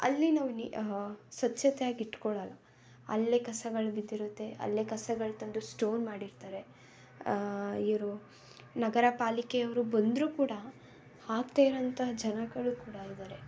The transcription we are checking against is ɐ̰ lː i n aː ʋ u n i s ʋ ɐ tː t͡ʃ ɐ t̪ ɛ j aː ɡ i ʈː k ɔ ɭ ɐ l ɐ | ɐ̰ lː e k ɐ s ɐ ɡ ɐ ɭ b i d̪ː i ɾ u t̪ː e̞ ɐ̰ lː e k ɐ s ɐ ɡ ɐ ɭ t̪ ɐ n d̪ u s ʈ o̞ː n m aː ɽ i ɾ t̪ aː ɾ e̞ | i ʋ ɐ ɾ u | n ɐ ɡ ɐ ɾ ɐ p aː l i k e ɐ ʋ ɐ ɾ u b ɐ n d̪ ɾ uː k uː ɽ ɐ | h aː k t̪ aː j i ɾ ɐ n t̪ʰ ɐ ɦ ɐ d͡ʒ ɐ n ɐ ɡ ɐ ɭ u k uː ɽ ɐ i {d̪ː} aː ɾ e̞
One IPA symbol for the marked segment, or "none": d̪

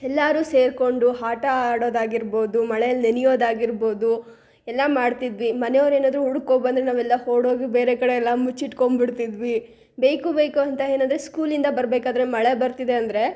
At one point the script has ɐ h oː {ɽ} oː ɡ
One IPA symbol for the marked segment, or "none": ɽ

